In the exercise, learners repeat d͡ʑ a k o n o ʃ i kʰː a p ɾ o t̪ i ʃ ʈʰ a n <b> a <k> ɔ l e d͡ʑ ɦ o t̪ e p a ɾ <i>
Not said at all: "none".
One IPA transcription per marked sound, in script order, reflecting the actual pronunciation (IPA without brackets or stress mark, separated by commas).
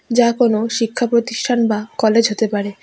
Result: b, k, e